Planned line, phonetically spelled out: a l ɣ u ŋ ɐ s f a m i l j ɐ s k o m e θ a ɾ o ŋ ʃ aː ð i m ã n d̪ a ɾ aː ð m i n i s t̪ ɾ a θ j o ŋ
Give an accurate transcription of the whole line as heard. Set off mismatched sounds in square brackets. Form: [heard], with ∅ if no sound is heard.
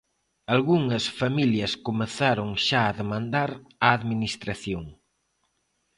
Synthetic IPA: a l ɣ u ŋ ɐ s f a m i l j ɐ s k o m e θ a ɾ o ŋ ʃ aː ð [e] m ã n d̪ a ɾ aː ð m i n i s t̪ ɾ a θ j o ŋ